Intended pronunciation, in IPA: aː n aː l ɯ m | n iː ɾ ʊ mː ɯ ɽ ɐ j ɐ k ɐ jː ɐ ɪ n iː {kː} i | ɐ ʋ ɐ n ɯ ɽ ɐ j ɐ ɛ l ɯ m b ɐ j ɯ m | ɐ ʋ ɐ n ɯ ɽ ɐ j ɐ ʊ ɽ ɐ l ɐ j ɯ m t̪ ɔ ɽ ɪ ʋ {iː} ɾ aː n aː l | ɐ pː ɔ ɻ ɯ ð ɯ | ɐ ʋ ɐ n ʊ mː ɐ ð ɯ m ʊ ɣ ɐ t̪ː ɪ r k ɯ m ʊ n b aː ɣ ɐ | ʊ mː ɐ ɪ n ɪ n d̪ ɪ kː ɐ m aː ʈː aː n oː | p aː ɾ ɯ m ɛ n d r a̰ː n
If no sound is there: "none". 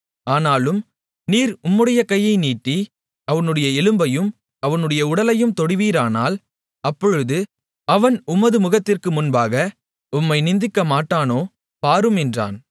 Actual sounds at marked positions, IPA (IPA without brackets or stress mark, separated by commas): ʈː, iː